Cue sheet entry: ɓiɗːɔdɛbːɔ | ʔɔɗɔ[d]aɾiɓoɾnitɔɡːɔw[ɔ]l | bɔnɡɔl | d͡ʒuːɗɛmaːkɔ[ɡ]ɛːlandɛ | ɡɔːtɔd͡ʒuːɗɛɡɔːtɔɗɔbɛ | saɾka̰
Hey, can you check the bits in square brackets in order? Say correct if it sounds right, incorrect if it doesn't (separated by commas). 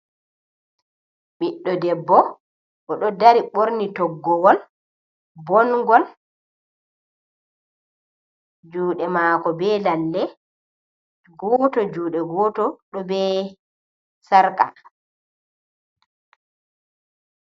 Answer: correct, correct, incorrect